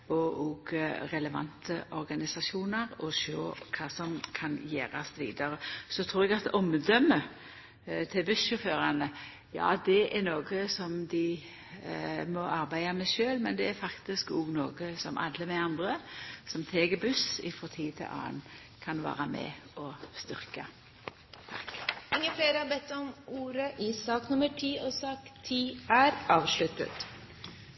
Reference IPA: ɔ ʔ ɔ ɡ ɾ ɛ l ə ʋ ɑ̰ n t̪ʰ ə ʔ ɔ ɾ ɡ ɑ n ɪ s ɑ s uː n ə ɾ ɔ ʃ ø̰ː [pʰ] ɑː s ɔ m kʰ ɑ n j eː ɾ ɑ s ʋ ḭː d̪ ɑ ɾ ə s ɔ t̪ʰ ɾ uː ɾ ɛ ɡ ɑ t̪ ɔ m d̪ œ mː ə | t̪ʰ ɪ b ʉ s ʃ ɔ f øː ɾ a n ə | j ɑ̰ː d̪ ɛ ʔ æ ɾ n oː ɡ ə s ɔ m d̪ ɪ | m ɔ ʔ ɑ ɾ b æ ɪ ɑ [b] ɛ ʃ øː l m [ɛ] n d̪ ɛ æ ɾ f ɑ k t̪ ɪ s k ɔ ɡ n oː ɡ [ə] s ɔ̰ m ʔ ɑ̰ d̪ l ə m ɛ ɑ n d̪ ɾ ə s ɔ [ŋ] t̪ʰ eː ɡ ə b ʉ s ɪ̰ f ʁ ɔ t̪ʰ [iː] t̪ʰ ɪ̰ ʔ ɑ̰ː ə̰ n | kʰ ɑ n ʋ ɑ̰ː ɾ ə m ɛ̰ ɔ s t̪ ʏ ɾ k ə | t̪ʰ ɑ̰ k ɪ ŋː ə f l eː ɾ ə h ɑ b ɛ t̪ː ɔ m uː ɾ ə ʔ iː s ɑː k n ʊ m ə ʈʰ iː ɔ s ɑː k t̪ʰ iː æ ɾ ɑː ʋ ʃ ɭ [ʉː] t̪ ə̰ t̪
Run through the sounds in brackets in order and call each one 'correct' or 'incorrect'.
incorrect, incorrect, correct, correct, incorrect, correct, incorrect

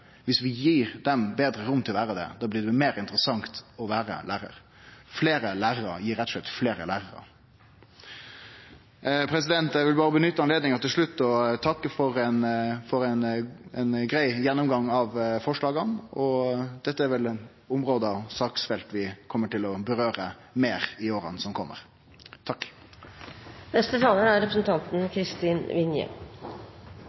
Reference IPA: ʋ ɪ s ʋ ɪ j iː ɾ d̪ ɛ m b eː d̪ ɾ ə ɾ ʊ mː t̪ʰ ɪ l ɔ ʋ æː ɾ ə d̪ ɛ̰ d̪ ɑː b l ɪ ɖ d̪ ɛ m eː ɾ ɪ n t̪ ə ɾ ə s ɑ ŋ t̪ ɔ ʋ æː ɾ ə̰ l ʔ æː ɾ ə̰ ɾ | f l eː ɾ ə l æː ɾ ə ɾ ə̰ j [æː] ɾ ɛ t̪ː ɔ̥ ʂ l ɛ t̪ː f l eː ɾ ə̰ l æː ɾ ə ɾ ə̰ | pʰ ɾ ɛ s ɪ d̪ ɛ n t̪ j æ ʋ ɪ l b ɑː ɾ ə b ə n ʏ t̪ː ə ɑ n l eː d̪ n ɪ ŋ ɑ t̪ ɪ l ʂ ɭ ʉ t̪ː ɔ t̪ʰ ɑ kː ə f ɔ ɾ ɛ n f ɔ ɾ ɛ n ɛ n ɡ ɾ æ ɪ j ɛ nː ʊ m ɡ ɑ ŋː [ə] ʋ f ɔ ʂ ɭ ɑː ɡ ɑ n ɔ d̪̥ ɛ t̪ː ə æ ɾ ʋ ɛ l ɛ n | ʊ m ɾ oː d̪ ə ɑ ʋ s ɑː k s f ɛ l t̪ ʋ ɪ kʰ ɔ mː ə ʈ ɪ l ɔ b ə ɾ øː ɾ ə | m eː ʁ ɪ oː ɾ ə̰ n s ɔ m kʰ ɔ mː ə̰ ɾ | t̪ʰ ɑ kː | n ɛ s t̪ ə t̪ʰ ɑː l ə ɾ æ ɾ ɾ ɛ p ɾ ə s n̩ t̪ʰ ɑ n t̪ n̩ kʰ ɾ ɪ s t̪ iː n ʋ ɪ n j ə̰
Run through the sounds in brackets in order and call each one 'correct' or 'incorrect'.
incorrect, incorrect

